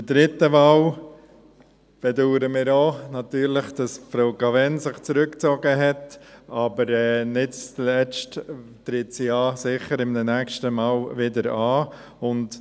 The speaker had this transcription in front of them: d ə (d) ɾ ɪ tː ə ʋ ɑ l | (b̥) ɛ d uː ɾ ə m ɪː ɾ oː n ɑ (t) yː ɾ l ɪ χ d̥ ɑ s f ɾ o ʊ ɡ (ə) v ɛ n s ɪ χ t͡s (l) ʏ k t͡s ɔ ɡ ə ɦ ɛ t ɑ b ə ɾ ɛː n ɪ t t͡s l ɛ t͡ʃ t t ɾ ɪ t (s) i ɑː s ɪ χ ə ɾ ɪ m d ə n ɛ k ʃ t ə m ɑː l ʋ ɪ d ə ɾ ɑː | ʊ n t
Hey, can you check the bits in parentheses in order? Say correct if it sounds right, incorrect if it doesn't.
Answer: correct, correct, correct, incorrect: ɑ, incorrect: ɾ, correct

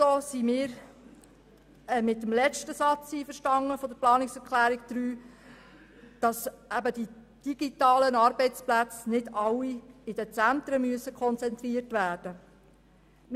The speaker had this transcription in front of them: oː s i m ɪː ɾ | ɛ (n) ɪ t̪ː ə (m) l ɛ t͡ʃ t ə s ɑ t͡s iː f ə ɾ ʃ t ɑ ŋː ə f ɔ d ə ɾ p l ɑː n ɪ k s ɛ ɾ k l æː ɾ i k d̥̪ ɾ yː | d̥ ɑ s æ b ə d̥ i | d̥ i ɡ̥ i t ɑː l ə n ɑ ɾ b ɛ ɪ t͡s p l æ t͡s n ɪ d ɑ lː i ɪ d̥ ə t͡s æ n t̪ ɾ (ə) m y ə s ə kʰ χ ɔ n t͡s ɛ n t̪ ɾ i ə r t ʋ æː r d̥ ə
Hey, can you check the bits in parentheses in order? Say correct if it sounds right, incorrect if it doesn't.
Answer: incorrect: m, correct, correct

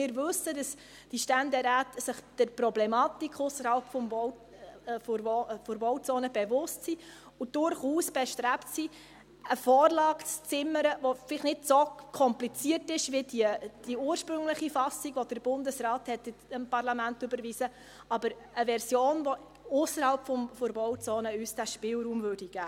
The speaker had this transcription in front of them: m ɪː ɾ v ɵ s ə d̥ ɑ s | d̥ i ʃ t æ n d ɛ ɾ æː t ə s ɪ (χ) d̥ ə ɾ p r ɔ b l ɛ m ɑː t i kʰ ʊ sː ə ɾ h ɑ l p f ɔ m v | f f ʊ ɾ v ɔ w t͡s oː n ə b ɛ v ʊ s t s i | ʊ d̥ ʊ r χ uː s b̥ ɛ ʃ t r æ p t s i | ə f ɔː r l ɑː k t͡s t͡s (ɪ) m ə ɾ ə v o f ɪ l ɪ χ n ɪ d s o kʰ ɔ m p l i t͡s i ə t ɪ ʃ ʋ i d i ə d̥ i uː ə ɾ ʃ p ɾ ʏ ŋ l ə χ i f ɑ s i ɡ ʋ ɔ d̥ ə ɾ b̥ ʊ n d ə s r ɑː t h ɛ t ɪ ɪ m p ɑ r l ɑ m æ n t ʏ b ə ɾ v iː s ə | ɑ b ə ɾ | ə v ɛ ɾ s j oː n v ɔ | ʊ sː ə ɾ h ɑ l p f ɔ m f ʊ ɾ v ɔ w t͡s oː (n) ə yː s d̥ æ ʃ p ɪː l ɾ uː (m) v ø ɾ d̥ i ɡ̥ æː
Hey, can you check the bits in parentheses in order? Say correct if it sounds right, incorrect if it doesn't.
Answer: correct, correct, correct, correct

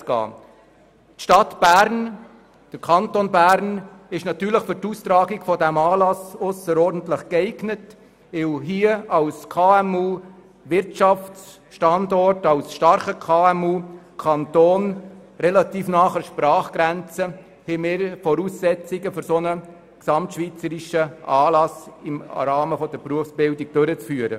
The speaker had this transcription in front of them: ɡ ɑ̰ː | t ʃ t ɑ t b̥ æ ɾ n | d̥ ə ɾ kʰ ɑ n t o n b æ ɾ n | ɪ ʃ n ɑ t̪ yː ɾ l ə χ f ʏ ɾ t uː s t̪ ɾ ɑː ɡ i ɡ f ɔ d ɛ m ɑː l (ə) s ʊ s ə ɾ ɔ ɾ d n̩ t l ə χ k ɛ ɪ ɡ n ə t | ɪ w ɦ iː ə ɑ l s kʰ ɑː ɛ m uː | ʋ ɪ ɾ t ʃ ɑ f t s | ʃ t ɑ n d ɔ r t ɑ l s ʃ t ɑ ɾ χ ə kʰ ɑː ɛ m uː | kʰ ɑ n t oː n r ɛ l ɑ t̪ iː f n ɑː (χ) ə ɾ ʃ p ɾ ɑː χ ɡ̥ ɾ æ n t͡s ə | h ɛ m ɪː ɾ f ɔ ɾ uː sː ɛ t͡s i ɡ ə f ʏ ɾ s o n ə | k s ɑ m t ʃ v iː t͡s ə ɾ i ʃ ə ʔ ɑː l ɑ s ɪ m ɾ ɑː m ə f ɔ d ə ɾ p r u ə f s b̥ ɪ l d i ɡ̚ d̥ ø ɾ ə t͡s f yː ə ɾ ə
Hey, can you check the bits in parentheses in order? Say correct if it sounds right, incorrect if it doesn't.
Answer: incorrect: ɑ, correct

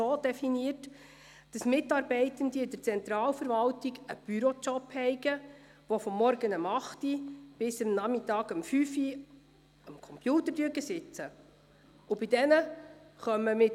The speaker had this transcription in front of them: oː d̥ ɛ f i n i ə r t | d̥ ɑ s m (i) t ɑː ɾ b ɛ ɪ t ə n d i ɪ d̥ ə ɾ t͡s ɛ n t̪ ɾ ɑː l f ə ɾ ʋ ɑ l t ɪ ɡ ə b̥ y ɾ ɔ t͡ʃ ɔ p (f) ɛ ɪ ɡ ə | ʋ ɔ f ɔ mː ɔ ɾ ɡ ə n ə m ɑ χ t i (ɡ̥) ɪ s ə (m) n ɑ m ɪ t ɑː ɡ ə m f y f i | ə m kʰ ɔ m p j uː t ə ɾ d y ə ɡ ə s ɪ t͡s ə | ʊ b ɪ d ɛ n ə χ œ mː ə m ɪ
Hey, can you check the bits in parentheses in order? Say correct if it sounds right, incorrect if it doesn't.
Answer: incorrect: ɪ, incorrect: h, incorrect: b̥, correct

